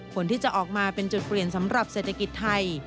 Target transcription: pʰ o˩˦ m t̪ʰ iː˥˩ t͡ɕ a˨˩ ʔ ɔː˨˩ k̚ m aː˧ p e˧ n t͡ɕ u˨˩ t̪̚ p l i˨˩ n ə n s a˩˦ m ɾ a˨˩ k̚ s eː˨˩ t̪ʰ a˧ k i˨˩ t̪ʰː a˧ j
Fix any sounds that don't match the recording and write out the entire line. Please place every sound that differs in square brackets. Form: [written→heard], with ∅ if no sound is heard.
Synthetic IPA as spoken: pʰ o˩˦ [m→n] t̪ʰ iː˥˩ t͡ɕ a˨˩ ʔ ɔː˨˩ k̚ m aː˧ p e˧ n t͡ɕ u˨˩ t̪̚ p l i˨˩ [n→∅] ə n s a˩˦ m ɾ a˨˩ [k̚→p̚] s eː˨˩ t̪ʰ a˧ k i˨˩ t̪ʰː a˧ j